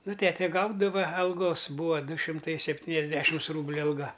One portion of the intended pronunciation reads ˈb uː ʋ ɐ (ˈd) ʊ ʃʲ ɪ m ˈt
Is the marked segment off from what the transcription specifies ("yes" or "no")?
no